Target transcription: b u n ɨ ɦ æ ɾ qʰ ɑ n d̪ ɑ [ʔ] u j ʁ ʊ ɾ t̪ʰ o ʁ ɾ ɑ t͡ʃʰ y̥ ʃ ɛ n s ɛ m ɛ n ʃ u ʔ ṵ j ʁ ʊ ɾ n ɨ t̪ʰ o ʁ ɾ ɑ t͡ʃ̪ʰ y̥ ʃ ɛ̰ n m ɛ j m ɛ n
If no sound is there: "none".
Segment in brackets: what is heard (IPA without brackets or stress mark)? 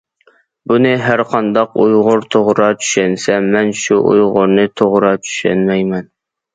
q